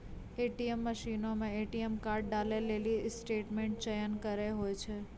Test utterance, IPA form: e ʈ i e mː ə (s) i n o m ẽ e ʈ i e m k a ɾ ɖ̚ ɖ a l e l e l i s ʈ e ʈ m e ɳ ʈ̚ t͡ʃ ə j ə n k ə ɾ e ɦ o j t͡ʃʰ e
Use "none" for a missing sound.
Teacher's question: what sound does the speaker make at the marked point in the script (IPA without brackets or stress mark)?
ʃ